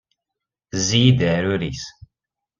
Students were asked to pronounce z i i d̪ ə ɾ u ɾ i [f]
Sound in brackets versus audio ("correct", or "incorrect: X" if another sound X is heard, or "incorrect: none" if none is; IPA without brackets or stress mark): incorrect: s